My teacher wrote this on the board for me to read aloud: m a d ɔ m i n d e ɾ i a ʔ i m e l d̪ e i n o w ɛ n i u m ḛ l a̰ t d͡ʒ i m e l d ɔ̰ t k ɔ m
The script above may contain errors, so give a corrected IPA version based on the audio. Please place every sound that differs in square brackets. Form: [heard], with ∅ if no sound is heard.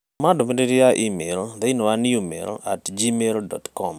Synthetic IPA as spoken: m a d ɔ m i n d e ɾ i a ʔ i m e l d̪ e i n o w [a] n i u m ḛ l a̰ t d͡ʒ i m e l d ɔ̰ t k ɔ m